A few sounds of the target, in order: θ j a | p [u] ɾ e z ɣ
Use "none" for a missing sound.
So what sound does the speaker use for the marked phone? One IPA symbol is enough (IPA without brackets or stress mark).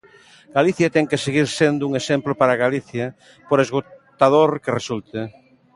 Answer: o